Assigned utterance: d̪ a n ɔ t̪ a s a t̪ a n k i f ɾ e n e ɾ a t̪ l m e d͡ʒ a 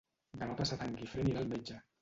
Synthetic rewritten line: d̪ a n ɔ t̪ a s a t̪ a ŋ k i f ɾ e n i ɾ a l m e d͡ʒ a